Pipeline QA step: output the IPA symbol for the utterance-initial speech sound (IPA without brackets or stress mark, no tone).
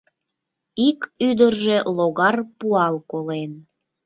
i